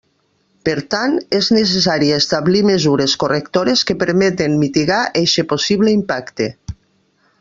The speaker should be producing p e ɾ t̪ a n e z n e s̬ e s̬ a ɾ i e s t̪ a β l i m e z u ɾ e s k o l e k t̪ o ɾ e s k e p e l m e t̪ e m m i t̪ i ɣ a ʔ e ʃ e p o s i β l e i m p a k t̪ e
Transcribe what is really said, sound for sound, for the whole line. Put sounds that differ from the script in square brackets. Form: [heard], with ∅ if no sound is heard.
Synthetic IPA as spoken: p e ɾ t̪ a n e z n e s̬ e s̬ a ɾ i e s t̪ a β l i m e z u ɾ e s k o [r] e k t̪ o ɾ e s k e p e [ɾ] m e t̪ e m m i t̪ i ɣ a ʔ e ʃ e p o s i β l e i m p a k t̪ e